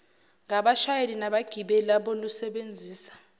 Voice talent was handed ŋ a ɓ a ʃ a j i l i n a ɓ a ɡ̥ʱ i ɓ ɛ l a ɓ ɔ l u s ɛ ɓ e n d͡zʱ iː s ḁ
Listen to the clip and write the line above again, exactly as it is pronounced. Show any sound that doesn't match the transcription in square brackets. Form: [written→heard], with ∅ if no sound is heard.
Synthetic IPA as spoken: ŋ a ɓ a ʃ a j [i→e] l i n a ɓ a ɡ̥ʱ i ɓ ɛ l a ɓ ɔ l u s ɛ ɓ e n d͡zʱ iː s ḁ